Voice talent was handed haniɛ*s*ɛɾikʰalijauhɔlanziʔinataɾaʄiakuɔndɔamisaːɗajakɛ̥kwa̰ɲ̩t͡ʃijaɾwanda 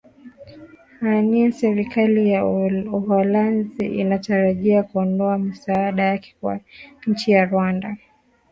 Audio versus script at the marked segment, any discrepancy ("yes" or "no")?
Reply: no